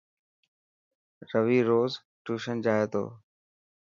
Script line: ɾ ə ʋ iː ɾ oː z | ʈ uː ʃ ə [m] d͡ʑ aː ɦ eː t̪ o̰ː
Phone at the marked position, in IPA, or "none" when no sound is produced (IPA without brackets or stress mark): n